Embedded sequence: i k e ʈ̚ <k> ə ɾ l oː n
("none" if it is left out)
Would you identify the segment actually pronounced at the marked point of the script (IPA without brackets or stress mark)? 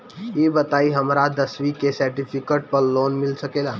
p